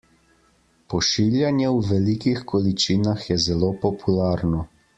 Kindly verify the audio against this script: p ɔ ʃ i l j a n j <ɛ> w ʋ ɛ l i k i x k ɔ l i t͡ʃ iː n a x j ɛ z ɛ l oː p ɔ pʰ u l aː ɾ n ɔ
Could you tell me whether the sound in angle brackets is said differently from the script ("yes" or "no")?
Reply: no